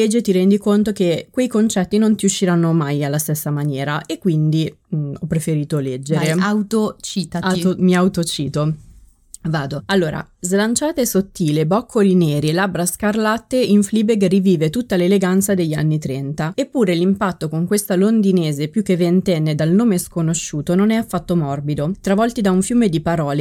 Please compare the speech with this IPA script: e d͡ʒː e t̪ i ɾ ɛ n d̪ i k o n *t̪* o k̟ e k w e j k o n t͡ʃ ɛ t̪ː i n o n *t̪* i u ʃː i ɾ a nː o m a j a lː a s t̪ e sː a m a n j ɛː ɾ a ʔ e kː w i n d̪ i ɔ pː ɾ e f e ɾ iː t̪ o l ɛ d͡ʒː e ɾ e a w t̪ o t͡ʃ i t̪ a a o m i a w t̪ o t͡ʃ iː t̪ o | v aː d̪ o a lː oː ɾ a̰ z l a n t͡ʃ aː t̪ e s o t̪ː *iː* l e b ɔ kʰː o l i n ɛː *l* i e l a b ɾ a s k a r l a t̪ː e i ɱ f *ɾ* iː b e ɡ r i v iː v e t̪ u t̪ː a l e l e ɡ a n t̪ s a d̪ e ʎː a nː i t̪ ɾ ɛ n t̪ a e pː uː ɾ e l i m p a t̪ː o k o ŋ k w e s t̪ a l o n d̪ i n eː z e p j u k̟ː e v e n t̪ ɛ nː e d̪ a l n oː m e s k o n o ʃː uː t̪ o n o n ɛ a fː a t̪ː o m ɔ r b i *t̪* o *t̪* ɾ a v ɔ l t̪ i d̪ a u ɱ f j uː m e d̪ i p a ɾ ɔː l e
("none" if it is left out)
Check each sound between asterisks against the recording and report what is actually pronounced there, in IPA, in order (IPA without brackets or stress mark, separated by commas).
t̪, t̪, iː, ɾ, l, d̪, t̪